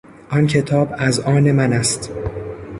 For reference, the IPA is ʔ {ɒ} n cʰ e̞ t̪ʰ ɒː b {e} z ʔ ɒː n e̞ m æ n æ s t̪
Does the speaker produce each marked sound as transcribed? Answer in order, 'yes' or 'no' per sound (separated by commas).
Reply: yes, no